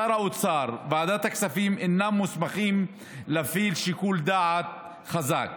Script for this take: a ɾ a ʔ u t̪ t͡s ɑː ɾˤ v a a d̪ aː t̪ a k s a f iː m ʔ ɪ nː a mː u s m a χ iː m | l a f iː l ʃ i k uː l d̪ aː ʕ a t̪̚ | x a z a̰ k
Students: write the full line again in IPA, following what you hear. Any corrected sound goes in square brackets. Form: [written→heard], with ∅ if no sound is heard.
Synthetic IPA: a ɾ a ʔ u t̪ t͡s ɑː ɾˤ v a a d̪ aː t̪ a k s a f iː m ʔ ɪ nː a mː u s m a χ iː m | l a f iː l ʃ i k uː l d̪ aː ʕ a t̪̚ | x a z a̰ k